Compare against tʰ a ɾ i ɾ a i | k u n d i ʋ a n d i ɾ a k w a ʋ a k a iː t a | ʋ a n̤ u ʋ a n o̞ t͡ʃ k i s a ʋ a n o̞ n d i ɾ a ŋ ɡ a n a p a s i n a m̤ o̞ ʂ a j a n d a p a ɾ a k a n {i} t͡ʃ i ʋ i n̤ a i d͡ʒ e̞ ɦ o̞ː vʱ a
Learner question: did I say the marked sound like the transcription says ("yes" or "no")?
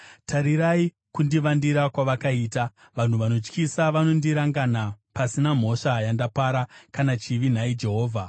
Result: no